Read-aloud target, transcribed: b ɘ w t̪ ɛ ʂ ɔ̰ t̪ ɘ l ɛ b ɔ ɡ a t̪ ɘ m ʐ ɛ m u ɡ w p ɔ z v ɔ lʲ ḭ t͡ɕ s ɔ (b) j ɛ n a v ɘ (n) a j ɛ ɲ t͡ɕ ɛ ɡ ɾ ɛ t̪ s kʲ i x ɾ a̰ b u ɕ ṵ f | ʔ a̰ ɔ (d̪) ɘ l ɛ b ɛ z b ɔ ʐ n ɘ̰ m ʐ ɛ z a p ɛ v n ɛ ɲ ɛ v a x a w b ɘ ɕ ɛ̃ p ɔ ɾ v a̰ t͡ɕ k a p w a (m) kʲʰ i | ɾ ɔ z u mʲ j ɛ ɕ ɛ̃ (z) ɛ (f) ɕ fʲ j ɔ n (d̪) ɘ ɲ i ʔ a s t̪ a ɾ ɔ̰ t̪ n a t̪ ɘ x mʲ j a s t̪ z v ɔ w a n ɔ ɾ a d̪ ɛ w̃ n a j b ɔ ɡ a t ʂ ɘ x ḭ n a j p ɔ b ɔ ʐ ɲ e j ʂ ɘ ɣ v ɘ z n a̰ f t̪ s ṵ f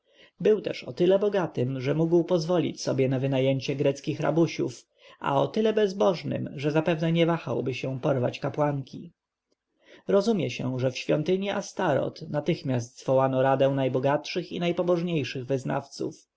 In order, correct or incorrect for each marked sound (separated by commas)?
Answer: correct, correct, incorrect, incorrect, incorrect, correct, incorrect